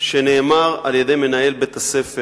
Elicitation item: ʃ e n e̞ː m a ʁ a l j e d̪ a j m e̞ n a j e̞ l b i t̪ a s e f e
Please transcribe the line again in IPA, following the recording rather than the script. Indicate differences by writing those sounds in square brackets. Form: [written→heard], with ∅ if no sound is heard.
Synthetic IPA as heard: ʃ e n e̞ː m a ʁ a l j e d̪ [a→e] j m e̞ n a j e̞ l b [i→e] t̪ a s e f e